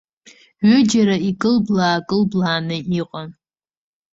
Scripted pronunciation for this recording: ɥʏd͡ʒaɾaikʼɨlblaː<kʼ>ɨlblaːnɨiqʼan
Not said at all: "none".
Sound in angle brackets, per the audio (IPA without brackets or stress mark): kʼ